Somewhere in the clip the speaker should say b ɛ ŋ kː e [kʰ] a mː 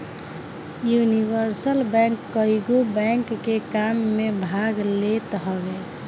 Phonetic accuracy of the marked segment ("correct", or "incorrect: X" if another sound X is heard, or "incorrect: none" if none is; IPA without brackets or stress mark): incorrect: k